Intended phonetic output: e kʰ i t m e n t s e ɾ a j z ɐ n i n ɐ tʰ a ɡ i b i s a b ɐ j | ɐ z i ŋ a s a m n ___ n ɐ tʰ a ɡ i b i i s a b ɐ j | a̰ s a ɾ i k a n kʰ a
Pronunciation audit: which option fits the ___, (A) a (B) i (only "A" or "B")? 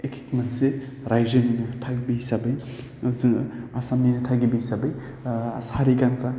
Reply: B